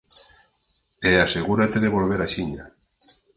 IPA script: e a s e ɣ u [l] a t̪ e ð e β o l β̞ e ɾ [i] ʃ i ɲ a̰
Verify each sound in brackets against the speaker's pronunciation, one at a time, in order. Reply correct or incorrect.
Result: incorrect: ɾ, incorrect: a

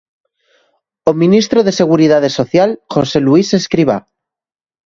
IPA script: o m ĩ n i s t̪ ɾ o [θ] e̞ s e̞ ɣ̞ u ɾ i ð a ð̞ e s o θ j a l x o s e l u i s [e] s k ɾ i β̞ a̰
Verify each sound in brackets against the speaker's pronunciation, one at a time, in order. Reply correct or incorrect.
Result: incorrect: ð, correct

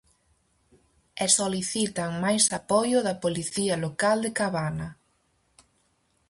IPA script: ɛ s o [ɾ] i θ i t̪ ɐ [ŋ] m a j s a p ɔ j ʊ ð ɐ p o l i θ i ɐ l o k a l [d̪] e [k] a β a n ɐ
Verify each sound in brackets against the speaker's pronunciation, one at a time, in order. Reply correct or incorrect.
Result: incorrect: l, correct, correct, correct

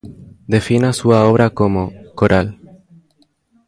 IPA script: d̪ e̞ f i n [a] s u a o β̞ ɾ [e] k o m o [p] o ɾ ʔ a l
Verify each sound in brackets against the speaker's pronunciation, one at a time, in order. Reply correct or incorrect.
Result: correct, incorrect: a, incorrect: k

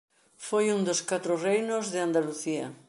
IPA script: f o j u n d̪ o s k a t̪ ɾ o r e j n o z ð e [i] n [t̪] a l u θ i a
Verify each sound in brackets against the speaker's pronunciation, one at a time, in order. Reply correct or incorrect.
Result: incorrect: a, incorrect: d̪

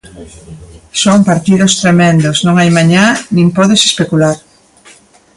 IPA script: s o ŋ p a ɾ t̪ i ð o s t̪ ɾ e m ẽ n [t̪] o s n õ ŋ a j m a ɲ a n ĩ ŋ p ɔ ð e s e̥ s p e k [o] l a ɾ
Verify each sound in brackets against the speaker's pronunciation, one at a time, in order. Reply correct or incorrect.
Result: incorrect: d̪, incorrect: u

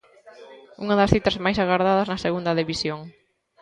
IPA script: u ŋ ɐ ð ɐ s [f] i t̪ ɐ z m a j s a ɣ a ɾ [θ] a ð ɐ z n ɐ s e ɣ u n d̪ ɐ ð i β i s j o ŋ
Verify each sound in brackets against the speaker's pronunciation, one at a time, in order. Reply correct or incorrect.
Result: incorrect: θ, incorrect: ð

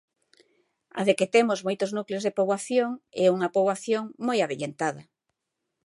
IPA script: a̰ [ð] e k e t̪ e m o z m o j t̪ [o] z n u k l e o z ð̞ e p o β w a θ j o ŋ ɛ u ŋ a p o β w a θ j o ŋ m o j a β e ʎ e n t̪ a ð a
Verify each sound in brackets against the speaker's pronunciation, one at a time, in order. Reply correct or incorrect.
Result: correct, correct

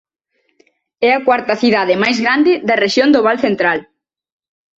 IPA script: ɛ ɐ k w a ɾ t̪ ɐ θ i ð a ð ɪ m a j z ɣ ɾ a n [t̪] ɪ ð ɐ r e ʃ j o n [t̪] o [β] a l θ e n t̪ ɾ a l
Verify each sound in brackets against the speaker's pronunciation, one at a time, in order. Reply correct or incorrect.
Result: incorrect: d̪, incorrect: d̪, correct

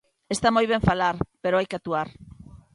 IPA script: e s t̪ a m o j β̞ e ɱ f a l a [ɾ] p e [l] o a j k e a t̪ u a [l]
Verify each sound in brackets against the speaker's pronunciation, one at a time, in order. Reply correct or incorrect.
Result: correct, incorrect: ɾ, incorrect: ɾ

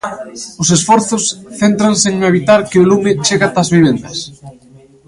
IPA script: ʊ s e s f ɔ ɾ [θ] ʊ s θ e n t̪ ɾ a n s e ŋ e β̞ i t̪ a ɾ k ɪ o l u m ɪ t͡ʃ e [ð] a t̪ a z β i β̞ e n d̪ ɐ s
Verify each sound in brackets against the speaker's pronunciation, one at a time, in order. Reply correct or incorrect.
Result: correct, incorrect: ɣ

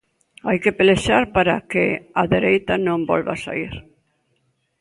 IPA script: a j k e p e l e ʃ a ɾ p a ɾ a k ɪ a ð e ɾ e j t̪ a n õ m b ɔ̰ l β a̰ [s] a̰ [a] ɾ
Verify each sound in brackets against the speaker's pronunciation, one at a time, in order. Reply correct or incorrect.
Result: correct, incorrect: i

